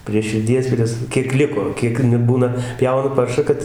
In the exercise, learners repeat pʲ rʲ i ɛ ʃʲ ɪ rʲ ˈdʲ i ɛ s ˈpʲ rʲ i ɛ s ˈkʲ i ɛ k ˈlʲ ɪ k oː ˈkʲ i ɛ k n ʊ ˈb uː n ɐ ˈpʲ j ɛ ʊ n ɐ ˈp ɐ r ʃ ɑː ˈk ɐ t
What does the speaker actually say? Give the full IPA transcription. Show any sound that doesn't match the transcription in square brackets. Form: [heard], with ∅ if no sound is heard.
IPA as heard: pʲ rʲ i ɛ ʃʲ ɪ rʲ ˈdʲ i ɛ s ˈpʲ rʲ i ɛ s ˈkʲ i ɛ k ˈlʲ ɪ k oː ˈkʲ i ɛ k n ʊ ˈb uː n ɐ ˈpʲ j ɛ ʊ n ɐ ˈp ɐ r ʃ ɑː ˈk ɐ t